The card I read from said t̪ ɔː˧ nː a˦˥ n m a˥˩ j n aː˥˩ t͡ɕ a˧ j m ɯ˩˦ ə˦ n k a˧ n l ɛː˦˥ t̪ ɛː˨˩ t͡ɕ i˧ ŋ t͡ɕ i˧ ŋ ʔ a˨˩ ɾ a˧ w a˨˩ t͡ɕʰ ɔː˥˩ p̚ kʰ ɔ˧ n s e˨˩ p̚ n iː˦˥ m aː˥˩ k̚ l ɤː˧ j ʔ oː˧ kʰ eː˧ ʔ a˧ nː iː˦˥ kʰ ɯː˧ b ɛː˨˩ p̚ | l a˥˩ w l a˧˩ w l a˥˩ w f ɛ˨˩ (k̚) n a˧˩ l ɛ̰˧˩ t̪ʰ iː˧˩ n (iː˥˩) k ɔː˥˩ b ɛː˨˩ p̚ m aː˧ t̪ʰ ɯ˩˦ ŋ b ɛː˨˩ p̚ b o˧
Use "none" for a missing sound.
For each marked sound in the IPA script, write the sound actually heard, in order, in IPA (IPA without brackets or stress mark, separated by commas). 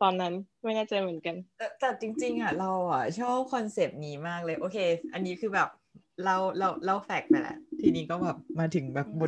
k̚, iː˦˥